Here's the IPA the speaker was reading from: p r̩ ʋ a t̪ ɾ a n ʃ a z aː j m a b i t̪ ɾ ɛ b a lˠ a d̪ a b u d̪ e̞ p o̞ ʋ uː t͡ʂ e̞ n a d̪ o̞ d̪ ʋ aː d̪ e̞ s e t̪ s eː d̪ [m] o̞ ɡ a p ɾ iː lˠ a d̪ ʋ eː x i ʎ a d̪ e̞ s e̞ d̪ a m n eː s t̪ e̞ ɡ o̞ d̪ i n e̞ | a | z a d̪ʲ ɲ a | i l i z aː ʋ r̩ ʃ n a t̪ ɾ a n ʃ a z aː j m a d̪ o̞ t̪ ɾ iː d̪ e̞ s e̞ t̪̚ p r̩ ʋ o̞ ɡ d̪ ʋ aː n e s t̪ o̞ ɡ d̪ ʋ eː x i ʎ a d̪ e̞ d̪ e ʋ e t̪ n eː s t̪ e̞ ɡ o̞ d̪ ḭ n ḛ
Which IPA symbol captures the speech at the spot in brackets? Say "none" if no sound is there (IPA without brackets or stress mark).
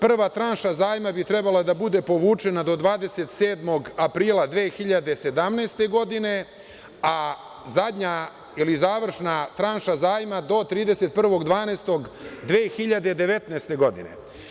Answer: m